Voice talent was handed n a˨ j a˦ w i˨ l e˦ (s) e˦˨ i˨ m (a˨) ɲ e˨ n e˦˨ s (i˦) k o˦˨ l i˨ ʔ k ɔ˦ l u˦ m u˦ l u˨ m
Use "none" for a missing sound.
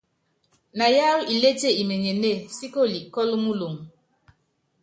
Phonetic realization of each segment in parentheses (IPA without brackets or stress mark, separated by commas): t, e˨, i˦